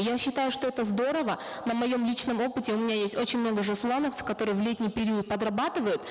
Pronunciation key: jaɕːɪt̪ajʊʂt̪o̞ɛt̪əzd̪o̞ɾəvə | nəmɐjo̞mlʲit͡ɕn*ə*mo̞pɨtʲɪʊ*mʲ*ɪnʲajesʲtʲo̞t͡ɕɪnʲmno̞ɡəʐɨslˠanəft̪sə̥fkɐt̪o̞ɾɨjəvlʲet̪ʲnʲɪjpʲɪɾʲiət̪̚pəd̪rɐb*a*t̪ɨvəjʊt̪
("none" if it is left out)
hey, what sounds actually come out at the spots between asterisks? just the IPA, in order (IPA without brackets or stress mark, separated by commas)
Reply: ə, mʲ, a